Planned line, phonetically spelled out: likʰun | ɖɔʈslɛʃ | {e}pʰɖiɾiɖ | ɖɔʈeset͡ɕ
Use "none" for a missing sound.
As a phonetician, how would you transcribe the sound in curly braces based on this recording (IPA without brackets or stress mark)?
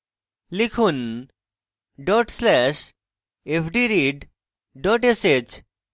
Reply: e